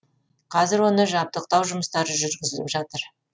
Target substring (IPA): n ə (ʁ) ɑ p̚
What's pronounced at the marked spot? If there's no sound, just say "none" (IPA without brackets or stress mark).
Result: ʒ